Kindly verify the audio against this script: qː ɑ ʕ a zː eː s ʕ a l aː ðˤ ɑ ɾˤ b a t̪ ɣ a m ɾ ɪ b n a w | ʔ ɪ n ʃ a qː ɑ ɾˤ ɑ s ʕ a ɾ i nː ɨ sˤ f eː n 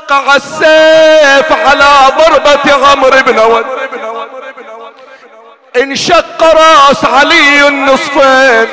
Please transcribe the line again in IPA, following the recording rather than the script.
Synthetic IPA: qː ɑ ʕ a sː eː f ʕ a l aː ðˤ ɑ ɾˤ b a t̪ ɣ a m ɾ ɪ b n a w | ʔ ɪ n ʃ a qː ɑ ɾˤ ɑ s ʕ a l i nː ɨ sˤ f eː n